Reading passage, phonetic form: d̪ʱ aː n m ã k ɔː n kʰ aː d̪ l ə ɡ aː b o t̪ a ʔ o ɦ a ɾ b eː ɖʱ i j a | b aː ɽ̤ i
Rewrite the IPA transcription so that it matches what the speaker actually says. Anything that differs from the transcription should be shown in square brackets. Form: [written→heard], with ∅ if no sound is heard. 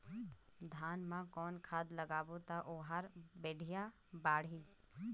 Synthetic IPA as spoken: d̪ʱ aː n m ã k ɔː n kʰ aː d̪ l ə ɡ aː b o t̪ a ʔ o ɦ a ɾ b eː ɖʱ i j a | b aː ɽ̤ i